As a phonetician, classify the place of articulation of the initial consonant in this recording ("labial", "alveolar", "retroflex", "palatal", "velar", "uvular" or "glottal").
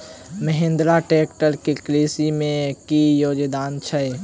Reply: labial